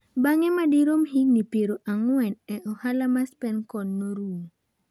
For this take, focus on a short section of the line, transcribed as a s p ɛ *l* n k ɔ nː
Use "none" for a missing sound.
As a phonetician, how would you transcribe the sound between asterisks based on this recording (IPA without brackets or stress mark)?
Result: none